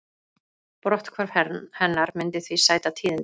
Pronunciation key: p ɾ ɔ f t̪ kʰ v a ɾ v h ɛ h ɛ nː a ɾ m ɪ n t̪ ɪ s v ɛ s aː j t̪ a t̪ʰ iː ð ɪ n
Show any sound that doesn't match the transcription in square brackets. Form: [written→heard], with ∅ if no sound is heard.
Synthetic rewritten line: p ɾ ɔ [f→h] t̪ kʰ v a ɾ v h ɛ h ɛ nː a ɾ m ɪ n t̪ ɪ [s→θ] v [ɛ→i] s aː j t̪ a t̪ʰ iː ð ɪ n